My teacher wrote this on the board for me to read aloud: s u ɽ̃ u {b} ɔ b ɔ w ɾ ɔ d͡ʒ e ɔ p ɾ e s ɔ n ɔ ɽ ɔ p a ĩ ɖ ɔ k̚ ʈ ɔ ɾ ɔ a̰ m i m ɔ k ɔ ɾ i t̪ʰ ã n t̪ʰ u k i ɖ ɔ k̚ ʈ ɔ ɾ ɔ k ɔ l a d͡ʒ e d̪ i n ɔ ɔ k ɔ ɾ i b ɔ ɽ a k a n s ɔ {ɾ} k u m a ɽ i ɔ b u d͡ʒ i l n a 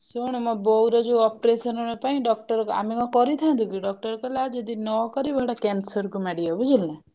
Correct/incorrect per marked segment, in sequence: incorrect: m, correct

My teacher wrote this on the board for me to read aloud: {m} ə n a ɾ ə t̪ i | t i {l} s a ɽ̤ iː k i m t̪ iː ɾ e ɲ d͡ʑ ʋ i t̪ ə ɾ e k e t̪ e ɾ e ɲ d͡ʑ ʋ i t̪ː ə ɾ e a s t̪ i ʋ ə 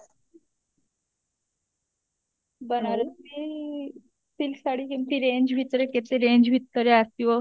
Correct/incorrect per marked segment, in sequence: incorrect: b, correct

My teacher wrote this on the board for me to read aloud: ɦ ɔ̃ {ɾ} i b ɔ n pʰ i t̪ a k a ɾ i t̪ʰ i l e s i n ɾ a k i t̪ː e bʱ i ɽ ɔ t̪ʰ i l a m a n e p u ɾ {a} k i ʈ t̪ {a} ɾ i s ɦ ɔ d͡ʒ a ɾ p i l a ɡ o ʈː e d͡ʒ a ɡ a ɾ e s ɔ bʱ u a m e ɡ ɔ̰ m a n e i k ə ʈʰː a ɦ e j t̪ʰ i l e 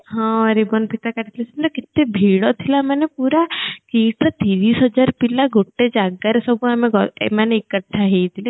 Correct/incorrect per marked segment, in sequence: correct, correct, incorrect: i

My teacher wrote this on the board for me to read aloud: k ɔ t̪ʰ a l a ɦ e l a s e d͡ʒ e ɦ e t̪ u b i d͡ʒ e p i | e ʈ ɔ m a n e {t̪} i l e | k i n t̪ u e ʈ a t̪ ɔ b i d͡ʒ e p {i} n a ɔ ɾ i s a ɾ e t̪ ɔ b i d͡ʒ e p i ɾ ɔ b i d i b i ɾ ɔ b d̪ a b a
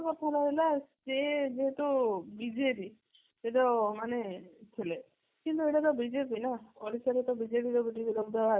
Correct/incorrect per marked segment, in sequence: incorrect: t̪ʰ, correct

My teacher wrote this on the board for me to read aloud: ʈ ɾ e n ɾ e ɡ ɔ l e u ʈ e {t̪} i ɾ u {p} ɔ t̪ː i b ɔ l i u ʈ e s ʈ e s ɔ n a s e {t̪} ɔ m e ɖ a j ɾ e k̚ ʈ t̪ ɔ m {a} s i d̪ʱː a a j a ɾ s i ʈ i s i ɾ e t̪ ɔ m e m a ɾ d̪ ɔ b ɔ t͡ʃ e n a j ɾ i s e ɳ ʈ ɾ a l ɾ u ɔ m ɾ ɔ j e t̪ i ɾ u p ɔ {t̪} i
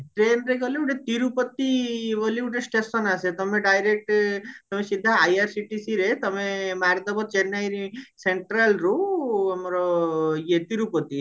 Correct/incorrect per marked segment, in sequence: correct, correct, correct, incorrect: e, correct

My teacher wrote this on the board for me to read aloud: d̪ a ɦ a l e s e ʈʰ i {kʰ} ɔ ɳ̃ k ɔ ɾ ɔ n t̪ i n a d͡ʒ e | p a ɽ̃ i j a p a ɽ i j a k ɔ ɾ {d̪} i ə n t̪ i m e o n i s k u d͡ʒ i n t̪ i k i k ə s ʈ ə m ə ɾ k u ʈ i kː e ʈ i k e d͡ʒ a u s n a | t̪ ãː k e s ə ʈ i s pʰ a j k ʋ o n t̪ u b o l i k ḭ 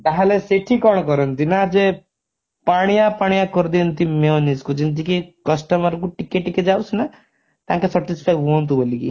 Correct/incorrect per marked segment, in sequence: incorrect: k, correct

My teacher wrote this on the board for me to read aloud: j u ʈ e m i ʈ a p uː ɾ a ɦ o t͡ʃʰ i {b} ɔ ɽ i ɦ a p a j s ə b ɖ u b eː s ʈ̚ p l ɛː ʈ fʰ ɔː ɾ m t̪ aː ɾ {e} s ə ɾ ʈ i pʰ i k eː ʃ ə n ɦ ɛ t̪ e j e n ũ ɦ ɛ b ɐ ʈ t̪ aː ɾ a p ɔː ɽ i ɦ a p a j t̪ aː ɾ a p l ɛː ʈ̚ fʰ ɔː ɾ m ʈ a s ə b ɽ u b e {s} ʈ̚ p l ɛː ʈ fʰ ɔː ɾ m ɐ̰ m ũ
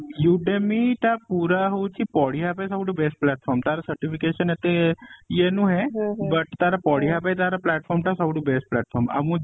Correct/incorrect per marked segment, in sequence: incorrect: p, incorrect: a, correct

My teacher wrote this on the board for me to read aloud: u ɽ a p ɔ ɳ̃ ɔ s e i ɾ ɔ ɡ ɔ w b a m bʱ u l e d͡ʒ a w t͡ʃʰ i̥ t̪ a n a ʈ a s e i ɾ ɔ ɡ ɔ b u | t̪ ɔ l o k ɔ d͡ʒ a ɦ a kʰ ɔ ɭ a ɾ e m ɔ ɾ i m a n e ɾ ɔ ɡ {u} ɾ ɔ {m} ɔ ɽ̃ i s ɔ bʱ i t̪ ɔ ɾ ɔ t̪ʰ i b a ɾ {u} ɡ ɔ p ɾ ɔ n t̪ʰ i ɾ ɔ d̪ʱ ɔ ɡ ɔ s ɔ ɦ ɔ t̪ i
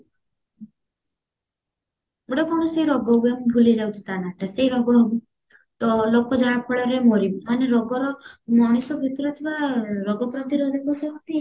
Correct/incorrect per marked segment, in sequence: incorrect: ɔ, correct, incorrect: ɔ

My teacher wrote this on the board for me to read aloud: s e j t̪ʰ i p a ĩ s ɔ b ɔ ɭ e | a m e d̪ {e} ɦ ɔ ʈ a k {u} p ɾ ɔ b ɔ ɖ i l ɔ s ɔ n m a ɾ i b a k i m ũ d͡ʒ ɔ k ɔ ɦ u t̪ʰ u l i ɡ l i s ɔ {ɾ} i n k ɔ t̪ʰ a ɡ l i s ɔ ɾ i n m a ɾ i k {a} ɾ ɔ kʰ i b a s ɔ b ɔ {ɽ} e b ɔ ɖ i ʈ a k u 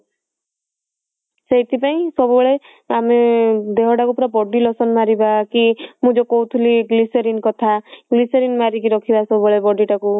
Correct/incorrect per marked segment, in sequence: correct, correct, correct, incorrect: i, incorrect: ɭ

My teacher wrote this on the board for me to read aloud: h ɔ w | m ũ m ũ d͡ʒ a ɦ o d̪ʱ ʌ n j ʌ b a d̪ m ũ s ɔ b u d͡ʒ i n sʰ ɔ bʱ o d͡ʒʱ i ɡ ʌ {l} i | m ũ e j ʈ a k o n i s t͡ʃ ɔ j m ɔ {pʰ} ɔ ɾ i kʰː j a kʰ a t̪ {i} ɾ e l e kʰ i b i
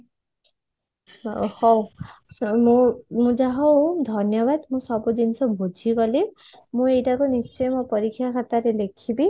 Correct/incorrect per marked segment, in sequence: correct, incorrect: p, incorrect: a

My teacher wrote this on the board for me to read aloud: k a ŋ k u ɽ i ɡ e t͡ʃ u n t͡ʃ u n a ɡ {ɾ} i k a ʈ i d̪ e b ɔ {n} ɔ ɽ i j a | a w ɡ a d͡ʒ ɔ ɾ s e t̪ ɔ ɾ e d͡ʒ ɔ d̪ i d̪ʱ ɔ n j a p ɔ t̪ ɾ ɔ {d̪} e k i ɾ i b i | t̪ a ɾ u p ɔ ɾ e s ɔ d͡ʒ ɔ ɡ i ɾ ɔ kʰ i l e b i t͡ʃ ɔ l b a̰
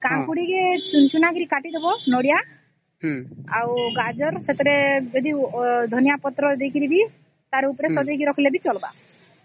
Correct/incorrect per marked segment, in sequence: correct, correct, correct

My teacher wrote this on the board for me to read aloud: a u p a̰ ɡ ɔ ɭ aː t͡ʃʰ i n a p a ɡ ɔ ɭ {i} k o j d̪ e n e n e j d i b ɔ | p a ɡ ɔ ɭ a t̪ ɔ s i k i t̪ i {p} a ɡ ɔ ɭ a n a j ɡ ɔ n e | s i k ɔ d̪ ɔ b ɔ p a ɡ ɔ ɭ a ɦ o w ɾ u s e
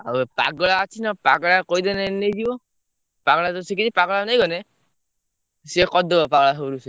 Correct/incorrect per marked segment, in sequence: incorrect: a, correct

